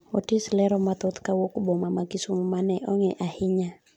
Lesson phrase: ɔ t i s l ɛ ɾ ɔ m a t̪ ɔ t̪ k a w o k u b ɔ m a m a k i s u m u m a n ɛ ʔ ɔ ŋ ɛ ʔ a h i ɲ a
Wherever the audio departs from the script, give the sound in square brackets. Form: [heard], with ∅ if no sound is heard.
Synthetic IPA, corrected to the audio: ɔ t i s l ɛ ɾ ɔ m a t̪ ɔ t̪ k a w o k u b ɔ m a m a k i s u m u m a n ɛ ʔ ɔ ŋ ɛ ʔ a h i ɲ a